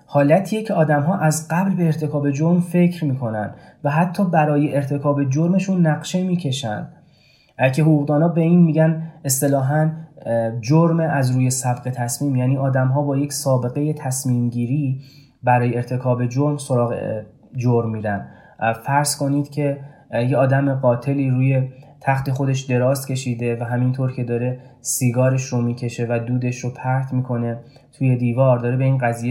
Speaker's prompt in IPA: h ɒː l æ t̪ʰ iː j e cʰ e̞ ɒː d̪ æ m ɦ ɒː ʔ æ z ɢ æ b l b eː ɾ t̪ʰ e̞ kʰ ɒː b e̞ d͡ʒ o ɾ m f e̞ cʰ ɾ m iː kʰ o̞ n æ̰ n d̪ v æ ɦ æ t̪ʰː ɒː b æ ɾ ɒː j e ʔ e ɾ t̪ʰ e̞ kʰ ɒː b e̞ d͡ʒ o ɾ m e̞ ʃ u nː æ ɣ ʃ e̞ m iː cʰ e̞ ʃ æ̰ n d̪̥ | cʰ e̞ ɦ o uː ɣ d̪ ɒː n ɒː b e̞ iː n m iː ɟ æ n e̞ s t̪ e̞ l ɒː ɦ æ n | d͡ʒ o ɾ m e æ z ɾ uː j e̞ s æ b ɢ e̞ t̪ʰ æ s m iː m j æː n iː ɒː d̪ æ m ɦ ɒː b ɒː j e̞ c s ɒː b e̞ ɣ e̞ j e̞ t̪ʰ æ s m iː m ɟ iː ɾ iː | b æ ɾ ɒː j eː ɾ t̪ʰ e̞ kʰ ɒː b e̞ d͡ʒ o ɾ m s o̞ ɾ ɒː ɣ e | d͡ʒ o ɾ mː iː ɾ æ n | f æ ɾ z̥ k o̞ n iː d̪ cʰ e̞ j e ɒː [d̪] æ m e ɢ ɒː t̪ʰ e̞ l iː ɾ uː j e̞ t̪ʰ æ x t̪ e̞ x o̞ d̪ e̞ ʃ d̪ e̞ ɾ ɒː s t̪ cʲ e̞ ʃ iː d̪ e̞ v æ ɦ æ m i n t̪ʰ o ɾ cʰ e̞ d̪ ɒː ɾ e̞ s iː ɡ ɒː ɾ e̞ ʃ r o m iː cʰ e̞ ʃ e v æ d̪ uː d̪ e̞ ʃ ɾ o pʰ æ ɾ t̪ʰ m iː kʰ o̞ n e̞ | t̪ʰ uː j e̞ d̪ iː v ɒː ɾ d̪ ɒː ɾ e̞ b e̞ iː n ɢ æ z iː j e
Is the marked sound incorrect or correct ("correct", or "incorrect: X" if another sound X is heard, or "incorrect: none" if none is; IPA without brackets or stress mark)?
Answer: correct